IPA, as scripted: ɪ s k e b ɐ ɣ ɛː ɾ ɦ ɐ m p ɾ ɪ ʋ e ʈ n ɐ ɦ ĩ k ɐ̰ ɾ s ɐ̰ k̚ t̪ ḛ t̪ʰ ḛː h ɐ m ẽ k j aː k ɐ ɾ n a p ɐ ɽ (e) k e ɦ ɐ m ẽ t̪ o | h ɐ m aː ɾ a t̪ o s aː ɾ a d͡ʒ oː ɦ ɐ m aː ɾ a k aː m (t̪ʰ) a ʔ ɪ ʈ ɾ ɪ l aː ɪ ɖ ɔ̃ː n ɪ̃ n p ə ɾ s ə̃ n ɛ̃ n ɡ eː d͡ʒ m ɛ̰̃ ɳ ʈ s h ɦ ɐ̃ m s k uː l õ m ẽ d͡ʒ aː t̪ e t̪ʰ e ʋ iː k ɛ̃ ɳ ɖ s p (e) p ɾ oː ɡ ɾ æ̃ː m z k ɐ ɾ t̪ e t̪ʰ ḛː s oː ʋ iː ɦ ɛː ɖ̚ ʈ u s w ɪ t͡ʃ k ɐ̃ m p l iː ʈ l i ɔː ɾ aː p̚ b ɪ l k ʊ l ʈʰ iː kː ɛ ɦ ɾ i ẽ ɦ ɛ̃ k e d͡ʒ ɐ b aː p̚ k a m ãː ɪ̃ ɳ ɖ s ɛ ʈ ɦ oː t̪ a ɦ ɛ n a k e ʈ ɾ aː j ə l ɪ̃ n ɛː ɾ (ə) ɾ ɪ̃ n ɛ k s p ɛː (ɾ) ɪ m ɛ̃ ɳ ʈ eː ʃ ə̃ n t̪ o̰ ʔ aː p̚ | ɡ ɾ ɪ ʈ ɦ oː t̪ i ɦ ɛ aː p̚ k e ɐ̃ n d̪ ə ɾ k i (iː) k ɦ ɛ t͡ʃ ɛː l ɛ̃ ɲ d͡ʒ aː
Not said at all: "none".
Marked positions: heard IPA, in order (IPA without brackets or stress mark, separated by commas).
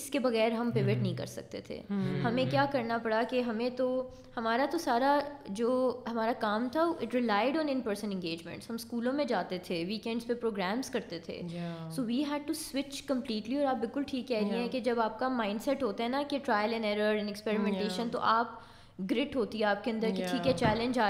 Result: a, t̪ʰ, e, ə, ɾ, iː